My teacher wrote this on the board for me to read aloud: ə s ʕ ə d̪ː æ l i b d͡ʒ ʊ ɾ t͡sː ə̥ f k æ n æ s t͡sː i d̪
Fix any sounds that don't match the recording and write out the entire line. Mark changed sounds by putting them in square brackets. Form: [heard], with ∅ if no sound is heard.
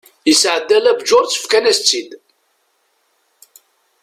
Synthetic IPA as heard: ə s ʕ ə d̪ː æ l [æ] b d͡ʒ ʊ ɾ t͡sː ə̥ f k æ n æ s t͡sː i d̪